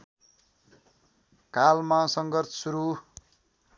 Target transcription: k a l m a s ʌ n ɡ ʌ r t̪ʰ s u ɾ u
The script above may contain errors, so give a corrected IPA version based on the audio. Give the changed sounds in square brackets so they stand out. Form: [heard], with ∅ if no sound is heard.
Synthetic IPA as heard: k a l m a s ʌ [ŋ] ɡ ʌ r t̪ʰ s u ɾ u